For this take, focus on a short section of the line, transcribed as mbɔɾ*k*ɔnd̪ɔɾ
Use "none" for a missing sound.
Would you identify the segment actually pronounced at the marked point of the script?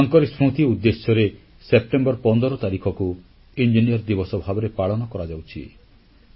p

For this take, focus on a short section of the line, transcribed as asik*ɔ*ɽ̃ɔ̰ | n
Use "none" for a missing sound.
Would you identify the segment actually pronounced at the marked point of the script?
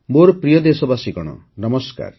ɔ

